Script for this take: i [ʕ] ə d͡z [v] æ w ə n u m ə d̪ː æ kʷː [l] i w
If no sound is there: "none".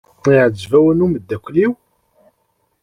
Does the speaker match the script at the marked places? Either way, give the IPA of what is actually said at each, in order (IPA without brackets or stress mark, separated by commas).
ʕ, v, l